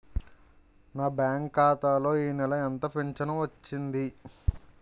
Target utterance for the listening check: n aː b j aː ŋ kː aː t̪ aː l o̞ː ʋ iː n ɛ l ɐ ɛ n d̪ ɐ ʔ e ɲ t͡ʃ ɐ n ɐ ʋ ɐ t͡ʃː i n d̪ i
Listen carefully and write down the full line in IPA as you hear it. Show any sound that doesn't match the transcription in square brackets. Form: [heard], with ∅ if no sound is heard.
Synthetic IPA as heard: n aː b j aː ŋ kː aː t̪ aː l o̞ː [∅] iː n ɛ l ɐ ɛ n [t̪] ɐ [p] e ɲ t͡ʃ ɐ n ɐ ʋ ɐ t͡ʃː i n d̪ i